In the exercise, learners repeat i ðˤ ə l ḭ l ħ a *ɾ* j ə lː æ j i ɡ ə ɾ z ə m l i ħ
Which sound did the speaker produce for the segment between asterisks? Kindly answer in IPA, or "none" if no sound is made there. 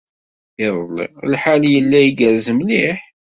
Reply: l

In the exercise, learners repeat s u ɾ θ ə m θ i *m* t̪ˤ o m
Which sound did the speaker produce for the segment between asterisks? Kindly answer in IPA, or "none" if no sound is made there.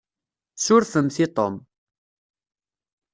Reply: none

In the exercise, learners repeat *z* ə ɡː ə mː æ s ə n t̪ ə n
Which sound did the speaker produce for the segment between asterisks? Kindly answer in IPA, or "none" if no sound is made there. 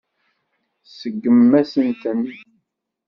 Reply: s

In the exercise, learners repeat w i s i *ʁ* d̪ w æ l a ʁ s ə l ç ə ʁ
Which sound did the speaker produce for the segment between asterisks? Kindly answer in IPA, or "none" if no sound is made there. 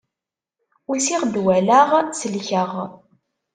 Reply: ʁ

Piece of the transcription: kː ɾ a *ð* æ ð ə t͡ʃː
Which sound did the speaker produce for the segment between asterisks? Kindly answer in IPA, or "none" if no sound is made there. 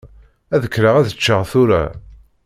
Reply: ʁ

